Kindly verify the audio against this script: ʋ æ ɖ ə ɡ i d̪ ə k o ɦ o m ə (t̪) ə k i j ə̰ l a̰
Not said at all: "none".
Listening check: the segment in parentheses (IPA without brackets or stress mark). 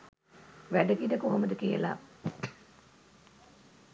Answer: d̪